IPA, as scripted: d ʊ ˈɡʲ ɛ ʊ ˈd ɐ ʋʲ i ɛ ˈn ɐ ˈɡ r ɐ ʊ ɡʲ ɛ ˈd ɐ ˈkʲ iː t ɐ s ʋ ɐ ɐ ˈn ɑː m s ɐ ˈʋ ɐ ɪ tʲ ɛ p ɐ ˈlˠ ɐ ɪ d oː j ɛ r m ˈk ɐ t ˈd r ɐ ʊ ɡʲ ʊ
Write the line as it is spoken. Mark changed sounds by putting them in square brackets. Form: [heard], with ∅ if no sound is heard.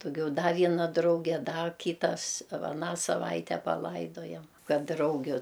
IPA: d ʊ ˈɡʲ ɛ ʊ ˈd ɐ ʋʲ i ɛ ˈn ɐ [ˈd] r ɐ ʊ ɡʲ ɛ ˈd ɐ ˈkʲ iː t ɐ s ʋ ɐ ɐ ˈn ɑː [∅] s ɐ ˈʋ ɐ ɪ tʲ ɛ p ɐ ˈlˠ ɐ ɪ d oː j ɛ [∅] m ˈk ɐ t ˈd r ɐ ʊ ɡʲ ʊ

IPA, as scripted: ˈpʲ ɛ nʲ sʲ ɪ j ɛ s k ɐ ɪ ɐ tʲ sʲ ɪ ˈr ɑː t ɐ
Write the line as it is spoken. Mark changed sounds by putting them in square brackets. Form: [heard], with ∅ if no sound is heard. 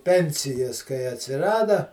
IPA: ˈpʲ ɛ nʲ sʲ ɪ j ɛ s k ɐ ɪ ɐ tʲ sʲ ɪ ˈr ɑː [d] ɐ

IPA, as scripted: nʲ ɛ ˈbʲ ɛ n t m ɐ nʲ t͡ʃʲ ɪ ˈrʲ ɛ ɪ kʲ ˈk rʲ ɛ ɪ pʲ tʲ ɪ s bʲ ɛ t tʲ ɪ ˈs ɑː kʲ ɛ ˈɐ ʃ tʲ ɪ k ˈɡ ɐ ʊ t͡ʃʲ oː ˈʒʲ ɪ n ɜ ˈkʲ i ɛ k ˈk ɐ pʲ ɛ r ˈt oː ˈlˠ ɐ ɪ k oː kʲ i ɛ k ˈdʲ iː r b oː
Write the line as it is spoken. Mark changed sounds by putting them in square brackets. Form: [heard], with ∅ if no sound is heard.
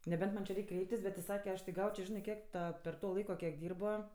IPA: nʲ ɛ ˈbʲ ɛ n t m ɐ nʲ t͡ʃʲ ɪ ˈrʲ ɛ ɪ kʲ ˈk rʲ ɛ ɪ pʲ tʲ ɪ s bʲ ɛ t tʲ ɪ ˈs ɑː kʲ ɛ ˈɐ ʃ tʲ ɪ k ˈɡ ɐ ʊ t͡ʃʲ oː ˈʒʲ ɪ n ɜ ˈkʲ i ɛ k [ˈt] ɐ pʲ ɛ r ˈt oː ˈlˠ ɐ ɪ k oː kʲ i ɛ k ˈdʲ iː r b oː

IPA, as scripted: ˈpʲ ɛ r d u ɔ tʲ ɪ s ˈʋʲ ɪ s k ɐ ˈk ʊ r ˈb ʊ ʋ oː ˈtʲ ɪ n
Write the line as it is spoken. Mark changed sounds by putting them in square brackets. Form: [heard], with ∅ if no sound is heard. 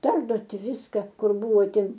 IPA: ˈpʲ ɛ r d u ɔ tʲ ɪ [∅] ˈʋʲ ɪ s k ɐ ˈk ʊ r ˈb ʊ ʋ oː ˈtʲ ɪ n

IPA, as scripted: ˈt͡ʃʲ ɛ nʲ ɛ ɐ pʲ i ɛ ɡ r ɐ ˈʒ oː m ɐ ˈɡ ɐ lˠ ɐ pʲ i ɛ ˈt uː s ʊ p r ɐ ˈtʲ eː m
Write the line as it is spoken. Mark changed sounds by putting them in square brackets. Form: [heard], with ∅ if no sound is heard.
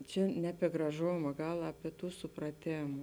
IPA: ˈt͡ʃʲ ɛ nʲ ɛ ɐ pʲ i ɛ ɡ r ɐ ˈʒ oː m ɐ ˈɡ ɐ lˠ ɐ pʲ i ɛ ˈt uː s ʊ p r ɐ ˈtʲ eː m

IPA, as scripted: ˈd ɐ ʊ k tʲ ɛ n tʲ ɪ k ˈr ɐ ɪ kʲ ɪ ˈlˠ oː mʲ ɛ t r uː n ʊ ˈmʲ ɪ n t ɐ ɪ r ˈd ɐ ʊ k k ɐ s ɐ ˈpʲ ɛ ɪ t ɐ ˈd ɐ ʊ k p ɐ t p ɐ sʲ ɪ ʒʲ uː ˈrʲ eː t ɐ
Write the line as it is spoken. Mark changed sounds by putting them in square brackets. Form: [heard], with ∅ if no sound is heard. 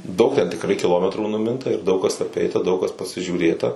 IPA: ˈd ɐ ʊ k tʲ ɛ n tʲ ɪ k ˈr ɐ ɪ kʲ ɪ ˈlˠ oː mʲ ɛ t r uː n ʊ ˈmʲ ɪ n t ɐ ɪ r ˈd ɐ ʊ k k ɐ s ɐ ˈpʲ ɛ ɪ t ɐ ˈd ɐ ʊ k [k] ɐ [s] p ɐ sʲ ɪ ʒʲ uː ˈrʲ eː t ɐ

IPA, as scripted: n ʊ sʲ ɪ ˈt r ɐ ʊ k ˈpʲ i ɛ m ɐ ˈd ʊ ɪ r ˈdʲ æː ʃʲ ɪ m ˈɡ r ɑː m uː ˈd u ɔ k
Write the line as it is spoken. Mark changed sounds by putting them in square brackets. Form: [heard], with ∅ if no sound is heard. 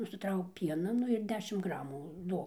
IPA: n ʊ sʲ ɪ ˈt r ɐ ʊ k ˈpʲ i ɛ [n] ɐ [ˈn] ʊ ɪ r ˈdʲ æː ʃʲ ɪ m ˈɡ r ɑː m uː ˈd u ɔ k

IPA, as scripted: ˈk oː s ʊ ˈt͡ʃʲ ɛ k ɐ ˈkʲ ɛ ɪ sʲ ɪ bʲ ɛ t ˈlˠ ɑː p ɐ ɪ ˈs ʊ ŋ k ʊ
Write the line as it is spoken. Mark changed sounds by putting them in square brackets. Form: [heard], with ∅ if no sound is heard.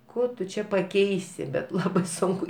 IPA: ˈk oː [t] ʊ ˈt͡ʃʲ ɛ [p] ɐ ˈkʲ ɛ ɪ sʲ ɪ bʲ ɛ t ˈlˠ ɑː [b] ɐ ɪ ˈs ʊ ŋ k ʊ

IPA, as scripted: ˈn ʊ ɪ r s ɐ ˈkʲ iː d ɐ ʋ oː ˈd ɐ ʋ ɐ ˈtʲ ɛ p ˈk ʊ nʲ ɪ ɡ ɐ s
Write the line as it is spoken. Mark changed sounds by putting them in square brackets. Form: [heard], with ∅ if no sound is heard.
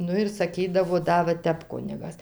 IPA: ˈn ʊ ɪ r s ɐ ˈkʲ iː d ɐ ʋ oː ˈd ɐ ʋ ɐ ˈtʲ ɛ p ˈk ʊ nʲ ɪ ɡ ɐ s

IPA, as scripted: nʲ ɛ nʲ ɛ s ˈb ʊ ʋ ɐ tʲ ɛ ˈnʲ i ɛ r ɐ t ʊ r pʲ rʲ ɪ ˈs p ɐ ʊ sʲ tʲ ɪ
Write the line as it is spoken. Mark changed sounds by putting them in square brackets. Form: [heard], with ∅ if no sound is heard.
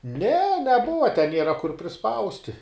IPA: nʲ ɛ nʲ ɛ [∅] ˈb ʊ ʋ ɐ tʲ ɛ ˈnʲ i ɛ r ɐ [k] ʊ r pʲ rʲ ɪ ˈs p ɐ ʊ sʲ tʲ ɪ

